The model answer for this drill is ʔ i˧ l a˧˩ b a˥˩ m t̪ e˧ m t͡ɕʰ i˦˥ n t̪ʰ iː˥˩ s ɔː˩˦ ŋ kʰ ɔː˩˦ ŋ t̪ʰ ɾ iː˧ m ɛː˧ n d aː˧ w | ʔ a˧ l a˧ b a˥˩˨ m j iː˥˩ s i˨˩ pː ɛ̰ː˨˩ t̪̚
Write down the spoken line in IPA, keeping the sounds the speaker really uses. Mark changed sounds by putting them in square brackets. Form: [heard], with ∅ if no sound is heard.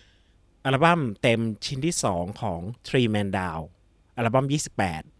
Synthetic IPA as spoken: ʔ [a˧] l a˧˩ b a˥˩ m t̪ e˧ m t͡ɕʰ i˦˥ n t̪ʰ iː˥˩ s ɔː˩˦ ŋ kʰ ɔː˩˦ ŋ t̪ʰ ɾ iː˧ m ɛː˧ n d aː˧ w | ʔ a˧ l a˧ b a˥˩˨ m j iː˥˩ s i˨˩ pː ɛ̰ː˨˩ t̪̚